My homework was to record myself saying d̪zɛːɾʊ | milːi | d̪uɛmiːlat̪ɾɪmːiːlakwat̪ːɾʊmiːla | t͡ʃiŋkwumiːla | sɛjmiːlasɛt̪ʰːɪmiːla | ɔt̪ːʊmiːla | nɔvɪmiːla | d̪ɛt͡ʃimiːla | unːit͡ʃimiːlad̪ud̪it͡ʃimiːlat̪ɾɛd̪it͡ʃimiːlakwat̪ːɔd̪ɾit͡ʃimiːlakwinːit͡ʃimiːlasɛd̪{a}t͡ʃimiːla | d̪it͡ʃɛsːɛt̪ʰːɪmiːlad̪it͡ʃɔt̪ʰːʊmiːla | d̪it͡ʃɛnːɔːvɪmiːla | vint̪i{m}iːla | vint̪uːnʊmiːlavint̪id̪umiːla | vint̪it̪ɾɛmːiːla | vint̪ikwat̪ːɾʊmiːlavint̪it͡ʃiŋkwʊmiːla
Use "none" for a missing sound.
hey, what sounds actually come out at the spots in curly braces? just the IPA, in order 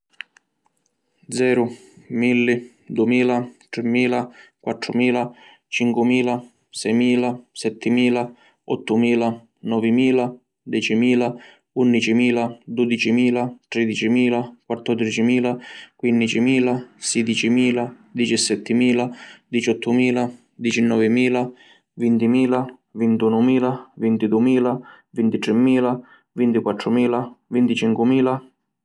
i, m

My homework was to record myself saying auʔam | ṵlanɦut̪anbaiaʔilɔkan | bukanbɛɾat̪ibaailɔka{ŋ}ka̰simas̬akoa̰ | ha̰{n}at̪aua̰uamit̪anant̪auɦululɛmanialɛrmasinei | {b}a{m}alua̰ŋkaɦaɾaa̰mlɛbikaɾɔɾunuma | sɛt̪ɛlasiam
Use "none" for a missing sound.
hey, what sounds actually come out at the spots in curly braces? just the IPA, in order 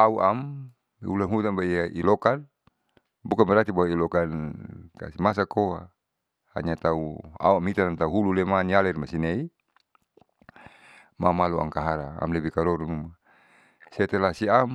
n, ɲ, m, m

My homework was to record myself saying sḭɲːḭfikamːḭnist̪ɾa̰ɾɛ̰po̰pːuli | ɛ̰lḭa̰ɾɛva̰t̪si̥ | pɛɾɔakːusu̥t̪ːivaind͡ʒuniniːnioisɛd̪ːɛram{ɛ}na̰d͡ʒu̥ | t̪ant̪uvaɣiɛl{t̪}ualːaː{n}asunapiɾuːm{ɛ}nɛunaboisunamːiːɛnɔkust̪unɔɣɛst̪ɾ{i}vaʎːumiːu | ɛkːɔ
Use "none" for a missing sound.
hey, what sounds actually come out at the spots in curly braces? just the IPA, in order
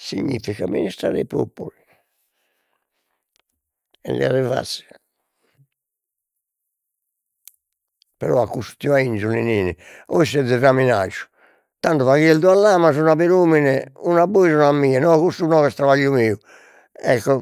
i, d̪, m, i, a

